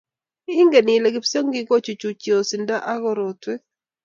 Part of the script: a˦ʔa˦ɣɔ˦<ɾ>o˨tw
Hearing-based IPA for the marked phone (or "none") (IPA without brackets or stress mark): ɾ